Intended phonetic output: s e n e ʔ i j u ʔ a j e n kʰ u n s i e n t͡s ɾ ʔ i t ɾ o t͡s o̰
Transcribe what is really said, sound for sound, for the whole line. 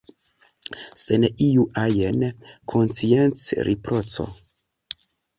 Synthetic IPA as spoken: s e n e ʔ i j u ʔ a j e n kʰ o n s i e n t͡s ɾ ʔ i p ɾ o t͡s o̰

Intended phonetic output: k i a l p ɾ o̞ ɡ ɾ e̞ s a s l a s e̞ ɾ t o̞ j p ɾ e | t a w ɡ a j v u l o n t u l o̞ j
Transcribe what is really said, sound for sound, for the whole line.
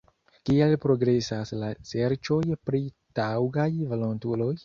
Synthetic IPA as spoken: k i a l p ɾ o̞ ɡ ɾ e̞ s a s l a s e̞ ɾ t͡ʃ o̞ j p ɾ i | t a w ɡ a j v o l o n t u l o̞ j

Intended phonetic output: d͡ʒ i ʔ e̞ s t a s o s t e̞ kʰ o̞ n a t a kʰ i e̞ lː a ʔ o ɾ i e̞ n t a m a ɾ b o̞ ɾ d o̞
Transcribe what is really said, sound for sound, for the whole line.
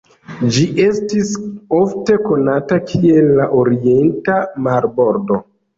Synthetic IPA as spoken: d͡ʒ i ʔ e̞ s t i s o f t e̞ k o̞ n a t a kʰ i e̞ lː a ʔ o ɾ i e̞ n t a m a ɾ b o̞ ɾ d o̞

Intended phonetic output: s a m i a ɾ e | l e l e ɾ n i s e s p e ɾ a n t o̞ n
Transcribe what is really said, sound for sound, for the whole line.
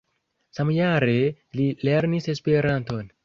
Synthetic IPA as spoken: s a m j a ɾ e | l i l e ɾ n i s e s p e ɾ a n t o̞ n

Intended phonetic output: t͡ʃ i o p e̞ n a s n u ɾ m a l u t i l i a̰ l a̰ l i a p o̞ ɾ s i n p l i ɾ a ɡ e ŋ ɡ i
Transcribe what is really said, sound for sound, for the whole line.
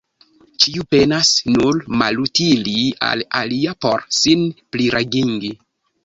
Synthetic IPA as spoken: t͡ʃ i u p e̞ n a s n u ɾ m a l u t i l i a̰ l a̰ l i a p o̞ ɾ s i n p l i ɾ a ɡ i ŋ ɡ i

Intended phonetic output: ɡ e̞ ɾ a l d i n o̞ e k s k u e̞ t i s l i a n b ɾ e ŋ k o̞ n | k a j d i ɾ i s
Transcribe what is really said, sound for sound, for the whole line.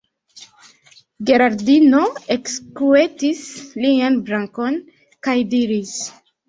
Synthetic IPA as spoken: ɡ e̞ ɾ a ɾ d i n o̞ e k s k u e̞ t i s l i a n b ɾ a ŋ k o̞ n | k a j d i ɾ i s

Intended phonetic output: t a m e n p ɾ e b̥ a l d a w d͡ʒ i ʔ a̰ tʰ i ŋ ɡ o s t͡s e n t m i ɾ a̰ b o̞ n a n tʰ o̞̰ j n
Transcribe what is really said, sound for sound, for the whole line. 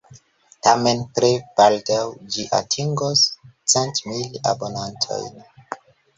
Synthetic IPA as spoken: t a m e n p ɾ e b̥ a l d a w d͡ʒ i ʔ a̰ tʰ i ŋ ɡ o s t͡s e n t m i l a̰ b o̞ n a n tʰ o̞̰ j n

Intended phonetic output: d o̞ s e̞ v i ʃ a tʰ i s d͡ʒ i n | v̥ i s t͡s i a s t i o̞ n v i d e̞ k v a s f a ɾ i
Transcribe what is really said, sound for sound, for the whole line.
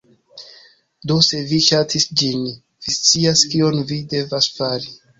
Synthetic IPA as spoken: d o̞ s e̞ v i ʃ a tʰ i s d͡ʒ i n | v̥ i s t͡s i a s k i o̞ n v i d e̞ v a s f a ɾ i

